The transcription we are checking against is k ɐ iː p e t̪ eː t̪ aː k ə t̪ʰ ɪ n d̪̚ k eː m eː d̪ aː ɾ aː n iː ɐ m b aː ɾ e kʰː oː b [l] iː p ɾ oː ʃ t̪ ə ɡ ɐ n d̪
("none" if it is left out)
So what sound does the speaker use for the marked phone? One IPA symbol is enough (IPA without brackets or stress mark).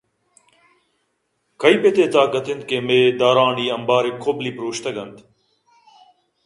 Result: l